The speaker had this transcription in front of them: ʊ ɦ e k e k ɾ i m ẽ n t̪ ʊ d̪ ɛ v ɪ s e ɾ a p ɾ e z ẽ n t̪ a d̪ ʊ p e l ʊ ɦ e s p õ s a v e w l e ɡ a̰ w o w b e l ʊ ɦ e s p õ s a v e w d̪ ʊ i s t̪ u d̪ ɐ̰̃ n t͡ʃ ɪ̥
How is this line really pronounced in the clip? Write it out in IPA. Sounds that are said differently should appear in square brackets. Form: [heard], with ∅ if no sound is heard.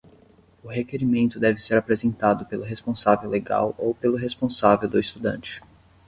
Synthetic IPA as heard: ʊ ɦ e k e [∅] ɾ i m ẽ n t̪ ʊ d̪ ɛ v ɪ s e ɾ a p ɾ e z ẽ n t̪ a d̪ ʊ p e l ʊ ɦ e s p õ s a v e w l e ɡ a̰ w o w [p] e l ʊ ɦ e s p õ s a v e w d̪ ʊ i s t̪ u d̪ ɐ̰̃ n t͡ʃ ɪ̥